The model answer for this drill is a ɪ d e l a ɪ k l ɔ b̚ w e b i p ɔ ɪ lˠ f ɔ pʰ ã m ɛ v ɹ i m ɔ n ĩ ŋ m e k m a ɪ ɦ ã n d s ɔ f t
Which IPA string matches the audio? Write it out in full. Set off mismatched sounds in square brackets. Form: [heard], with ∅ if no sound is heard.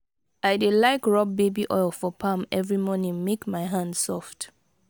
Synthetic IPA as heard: a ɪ d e l a ɪ k [ɹ] ɔ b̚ [b] e b i [ʔ] ɔ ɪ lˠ f ɔ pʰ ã m ɛ v ɹ i m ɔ n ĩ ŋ m e k m a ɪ ɦ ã n d s ɔ f t